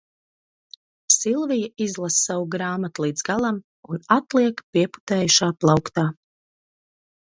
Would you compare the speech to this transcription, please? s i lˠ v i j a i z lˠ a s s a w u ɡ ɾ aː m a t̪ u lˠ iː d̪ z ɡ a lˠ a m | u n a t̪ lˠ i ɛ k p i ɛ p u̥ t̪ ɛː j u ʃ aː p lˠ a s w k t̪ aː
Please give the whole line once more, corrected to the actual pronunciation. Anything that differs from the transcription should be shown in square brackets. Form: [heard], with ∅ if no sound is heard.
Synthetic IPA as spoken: s i lˠ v i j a i z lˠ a s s a w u ɡ ɾ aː m a t̪ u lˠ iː d̪ z ɡ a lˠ a m | u n a t̪ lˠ i ɛ k p i ɛ p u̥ t̪ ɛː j u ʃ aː p lˠ a [∅] w k t̪ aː